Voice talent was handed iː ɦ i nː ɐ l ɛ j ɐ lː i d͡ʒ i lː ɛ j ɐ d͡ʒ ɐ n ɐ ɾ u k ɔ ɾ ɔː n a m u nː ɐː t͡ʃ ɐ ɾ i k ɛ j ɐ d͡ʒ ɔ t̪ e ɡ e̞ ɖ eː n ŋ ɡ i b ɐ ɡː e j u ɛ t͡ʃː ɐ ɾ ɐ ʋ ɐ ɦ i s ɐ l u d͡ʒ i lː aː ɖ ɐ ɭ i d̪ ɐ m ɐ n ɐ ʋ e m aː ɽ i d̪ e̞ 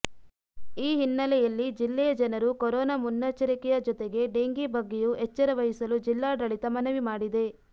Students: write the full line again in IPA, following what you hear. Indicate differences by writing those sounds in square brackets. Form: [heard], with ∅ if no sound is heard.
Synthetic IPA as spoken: iː ɦ i nː ɐ l ɛ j ɐ lː i d͡ʒ i lː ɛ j ɐ d͡ʒ ɐ n ɐ ɾ u k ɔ ɾ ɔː n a m u nː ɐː t͡ʃ ɐ ɾ i k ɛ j ɐ d͡ʒ ɔ t̪ e ɡ e̞ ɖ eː [∅] ŋ ɡ i b ɐ ɡː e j u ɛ t͡ʃː ɐ ɾ ɐ ʋ ɐ ɦ i s ɐ l u d͡ʒ i lː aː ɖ ɐ ɭ i [t̪] ɐ m ɐ n ɐ ʋ [i] m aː ɽ i d̪ e̞